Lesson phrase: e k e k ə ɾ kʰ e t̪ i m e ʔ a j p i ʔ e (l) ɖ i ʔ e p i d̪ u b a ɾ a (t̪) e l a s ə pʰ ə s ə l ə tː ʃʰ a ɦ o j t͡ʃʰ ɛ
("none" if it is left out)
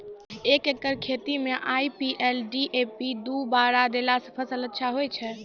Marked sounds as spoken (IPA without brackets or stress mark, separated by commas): l, d̪